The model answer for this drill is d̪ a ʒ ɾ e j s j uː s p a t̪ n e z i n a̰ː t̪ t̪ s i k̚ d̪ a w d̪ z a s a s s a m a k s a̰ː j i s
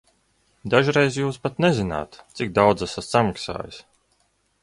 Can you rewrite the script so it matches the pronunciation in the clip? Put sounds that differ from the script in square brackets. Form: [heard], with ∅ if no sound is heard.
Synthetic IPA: d̪ a ʒ ɾ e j [z] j uː s p a t̪ n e z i n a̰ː t̪ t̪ s i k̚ d̪ a w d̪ z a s a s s a m a k s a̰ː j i s